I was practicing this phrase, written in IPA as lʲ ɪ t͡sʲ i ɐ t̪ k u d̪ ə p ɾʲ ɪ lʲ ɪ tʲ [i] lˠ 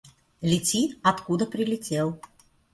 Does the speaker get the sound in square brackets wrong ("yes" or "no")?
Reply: yes